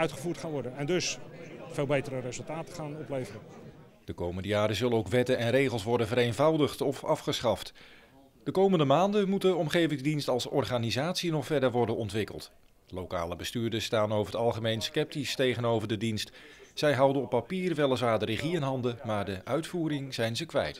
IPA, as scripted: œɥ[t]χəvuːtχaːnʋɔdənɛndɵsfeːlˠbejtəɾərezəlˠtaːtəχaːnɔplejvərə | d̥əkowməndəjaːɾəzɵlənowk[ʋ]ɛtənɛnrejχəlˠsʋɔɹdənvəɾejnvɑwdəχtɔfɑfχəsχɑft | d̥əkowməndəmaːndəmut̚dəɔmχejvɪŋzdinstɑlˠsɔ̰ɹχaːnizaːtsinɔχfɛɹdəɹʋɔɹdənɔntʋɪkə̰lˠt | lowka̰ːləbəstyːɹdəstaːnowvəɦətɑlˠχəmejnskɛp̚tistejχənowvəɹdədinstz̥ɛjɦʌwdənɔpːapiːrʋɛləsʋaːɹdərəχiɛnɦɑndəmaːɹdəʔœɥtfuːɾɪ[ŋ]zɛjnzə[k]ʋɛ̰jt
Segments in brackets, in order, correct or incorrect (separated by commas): correct, correct, correct, correct